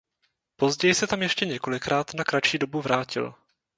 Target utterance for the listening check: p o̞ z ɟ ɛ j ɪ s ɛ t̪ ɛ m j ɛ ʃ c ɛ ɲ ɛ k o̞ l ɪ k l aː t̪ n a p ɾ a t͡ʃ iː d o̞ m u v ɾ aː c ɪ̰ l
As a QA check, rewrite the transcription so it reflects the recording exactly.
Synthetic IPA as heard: p o̞ z ɟ ɛ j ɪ s ɛ t̪ a m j ɛ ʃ c ɛ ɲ ɛ k o̞ l ɪ k ɾ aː t̪ n a k ɾ a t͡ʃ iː d o̞ b u v ɾ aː c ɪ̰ l

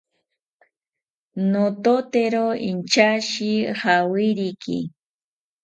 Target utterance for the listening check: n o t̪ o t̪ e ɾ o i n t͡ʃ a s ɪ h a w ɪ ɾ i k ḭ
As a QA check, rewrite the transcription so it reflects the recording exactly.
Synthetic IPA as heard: n o t̪ o t̪ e ɾ o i n t͡ʃ a ʃ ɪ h a w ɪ ɾ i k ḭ

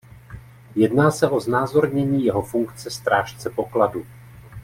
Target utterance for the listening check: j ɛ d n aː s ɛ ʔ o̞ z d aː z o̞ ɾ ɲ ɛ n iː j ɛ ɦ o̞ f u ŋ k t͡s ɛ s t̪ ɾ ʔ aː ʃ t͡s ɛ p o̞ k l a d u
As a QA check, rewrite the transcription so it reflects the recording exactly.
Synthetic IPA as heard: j ɛ d n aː s ɛ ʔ o̞ z n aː z o̞ ɾ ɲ ɛ ɲ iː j ɛ ɦ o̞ f u ŋ k t͡s ɛ s t̪ ɾ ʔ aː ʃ t͡s ɛ p o̞ k l a d u

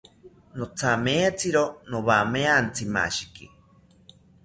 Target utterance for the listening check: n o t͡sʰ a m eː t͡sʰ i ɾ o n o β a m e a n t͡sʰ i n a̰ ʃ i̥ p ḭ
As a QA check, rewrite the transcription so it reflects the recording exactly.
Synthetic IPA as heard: n o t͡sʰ a m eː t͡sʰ i ɾ o n o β a m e a n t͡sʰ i m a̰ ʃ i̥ k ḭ

